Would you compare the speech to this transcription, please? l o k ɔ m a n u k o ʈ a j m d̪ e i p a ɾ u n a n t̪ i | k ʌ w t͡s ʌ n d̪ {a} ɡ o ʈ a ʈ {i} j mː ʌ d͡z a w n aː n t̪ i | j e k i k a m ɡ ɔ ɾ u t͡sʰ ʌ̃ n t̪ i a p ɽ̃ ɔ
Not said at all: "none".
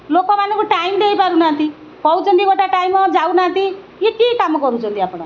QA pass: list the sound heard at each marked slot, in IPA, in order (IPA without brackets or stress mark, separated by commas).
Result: i, a